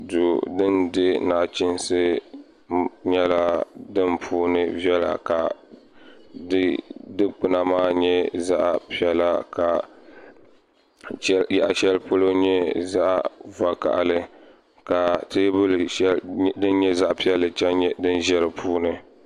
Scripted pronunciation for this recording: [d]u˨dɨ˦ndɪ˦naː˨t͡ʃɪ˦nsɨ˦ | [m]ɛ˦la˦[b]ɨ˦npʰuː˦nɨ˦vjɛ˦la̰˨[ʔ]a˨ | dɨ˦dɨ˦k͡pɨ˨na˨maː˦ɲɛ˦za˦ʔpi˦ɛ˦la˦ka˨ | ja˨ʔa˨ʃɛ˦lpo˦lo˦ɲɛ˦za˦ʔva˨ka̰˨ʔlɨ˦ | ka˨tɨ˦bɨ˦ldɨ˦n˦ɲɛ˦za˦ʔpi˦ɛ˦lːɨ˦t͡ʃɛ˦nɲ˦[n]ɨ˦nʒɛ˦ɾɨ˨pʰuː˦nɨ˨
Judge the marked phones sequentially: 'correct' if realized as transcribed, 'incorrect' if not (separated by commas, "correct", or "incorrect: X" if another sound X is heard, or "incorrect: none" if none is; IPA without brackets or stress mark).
correct, incorrect: ɲ, incorrect: d, incorrect: k, incorrect: d